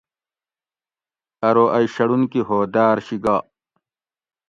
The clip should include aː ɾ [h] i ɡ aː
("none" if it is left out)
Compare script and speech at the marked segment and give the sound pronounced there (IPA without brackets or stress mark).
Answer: ɕ